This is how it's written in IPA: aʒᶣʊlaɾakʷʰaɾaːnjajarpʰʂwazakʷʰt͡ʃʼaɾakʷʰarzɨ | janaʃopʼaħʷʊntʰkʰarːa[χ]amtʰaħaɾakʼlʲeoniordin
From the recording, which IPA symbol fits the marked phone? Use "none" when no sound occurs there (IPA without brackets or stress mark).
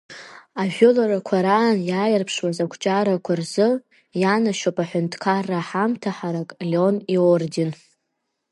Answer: ħ